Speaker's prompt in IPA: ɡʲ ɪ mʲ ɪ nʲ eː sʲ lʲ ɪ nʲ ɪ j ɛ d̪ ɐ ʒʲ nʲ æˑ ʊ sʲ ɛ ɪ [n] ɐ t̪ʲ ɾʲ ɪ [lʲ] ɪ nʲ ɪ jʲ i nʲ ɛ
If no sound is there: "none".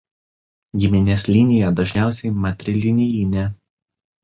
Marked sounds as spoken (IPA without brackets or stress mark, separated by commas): m, lʲ